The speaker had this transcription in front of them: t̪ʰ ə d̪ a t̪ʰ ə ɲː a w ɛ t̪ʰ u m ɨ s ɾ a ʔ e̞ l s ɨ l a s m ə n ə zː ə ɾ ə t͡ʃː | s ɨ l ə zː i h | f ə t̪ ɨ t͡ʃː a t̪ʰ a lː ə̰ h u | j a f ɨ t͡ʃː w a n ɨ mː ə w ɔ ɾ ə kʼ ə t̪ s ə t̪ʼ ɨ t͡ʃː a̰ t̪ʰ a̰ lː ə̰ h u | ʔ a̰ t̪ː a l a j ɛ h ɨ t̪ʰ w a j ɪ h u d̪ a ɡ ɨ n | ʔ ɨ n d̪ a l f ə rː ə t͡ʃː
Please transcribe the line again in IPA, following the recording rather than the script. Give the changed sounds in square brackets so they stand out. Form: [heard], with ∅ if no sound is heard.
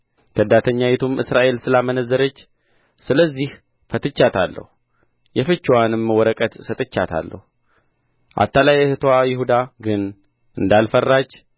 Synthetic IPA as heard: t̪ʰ ə d̪ a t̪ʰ ə ɲː a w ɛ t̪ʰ u m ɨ s ɾ a ʔ e̞ l s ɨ l a [∅] m ə n ə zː ə ɾ ə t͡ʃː | s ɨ l ə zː i h | f ə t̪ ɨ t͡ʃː a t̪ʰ a lː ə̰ h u | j [ɛ] f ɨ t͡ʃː w a n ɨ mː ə w ɔ ɾ ə kʼ ə t̪ s ə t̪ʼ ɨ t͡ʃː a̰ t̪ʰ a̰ lː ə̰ h u | ʔ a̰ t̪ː a l a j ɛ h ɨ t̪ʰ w a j ɪ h u d̪ a ɡ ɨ n | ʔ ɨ n d̪ a l f ə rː [a] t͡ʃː